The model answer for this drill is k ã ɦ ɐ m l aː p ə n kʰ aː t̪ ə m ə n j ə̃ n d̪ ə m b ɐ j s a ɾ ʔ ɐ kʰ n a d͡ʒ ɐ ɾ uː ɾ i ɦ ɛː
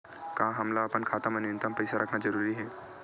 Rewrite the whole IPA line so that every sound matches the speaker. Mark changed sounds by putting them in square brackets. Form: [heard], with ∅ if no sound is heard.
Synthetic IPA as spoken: k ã ɦ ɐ m l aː p ə n kʰ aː t̪ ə m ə n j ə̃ n [t̪] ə m [p] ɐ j s a ɾ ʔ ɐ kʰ n a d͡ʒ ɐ ɾ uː ɾ i ɦ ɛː